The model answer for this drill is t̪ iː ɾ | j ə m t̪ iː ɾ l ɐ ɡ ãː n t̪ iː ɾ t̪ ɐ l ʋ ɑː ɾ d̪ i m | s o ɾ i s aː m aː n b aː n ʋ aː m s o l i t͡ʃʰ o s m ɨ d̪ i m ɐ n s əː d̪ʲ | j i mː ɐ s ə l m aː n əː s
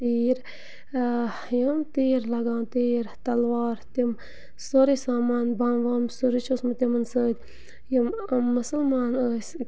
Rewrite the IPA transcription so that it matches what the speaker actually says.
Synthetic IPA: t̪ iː ɾ | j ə m t̪ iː ɾ l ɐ ɡ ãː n t̪ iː ɾ t̪ ɐ l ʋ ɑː ɾ t̪ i m | s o ɾ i s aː m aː n b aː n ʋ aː m s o ɾ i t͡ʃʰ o s m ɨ t̪ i m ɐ n s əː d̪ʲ | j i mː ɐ s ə l m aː n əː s